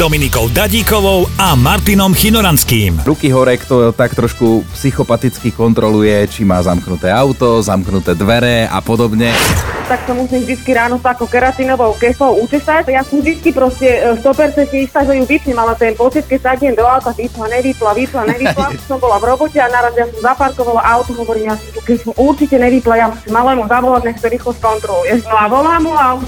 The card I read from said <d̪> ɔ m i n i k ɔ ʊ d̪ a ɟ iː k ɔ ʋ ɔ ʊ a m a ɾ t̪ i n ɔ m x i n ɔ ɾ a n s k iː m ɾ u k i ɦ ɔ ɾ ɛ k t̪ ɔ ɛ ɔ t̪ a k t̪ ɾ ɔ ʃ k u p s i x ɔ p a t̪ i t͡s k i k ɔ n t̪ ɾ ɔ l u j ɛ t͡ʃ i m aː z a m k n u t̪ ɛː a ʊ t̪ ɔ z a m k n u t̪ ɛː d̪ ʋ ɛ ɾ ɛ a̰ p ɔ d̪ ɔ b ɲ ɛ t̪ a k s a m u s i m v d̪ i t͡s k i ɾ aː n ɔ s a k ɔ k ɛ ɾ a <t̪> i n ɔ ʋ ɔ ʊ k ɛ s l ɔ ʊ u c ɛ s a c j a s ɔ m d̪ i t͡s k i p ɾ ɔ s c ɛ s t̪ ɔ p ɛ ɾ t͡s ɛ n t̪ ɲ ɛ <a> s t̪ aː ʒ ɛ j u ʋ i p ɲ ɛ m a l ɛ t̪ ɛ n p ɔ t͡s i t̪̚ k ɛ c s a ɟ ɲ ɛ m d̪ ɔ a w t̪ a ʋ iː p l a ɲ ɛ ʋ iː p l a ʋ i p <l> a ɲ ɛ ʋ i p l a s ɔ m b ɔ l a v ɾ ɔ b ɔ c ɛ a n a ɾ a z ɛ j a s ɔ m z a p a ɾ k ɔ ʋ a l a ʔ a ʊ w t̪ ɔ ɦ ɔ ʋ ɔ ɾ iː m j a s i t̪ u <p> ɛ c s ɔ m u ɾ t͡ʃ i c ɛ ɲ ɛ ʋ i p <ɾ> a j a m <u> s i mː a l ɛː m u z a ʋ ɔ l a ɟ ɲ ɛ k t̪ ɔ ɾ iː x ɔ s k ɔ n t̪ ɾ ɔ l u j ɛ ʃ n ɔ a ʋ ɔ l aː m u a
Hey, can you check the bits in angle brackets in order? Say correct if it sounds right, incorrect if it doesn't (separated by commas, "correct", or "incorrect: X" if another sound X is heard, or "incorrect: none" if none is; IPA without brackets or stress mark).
correct, correct, incorrect: i, correct, incorrect: k, incorrect: l, correct